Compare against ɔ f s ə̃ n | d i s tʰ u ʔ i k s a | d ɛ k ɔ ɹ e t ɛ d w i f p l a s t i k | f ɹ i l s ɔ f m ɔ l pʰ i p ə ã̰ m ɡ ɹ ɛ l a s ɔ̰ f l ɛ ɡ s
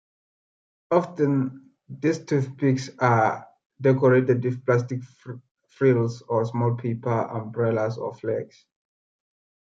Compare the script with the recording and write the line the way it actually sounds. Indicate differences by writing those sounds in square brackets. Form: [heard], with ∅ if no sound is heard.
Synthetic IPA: ɔ f [t] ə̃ n | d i s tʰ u [p] i k s a | d ɛ k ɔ ɹ e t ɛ d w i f p l a s t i k | f ɹ i l s ɔ [s] m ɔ l pʰ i p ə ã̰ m [b] ɹ ɛ l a s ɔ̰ f l ɛ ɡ s